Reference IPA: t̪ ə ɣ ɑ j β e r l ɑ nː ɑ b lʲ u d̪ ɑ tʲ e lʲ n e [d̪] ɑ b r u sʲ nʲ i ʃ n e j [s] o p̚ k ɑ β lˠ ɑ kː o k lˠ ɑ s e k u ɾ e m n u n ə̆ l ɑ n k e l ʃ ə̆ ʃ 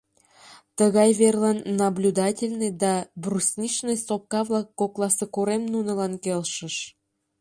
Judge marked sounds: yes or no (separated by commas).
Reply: yes, yes